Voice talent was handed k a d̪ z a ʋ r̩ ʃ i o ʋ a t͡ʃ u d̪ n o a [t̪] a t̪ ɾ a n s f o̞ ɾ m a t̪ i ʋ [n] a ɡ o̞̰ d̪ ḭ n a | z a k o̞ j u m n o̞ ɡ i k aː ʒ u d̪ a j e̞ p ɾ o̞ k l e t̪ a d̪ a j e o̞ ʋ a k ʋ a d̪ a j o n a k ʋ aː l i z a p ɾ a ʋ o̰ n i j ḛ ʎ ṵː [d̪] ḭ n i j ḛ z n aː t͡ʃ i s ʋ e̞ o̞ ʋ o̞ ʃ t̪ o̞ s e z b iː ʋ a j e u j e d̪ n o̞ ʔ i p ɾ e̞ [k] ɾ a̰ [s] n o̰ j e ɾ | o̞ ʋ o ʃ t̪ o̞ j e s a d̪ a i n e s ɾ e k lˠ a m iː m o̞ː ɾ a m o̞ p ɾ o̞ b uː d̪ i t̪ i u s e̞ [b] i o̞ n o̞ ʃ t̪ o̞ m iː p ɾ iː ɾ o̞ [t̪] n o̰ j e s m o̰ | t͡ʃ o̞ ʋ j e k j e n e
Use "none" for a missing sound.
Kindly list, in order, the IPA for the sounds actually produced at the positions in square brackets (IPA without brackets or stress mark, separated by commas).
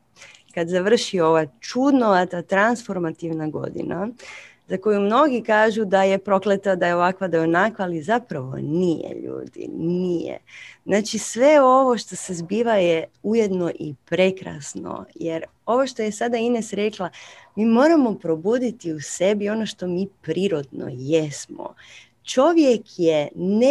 t̪, n, d̪, k, s, b, d̪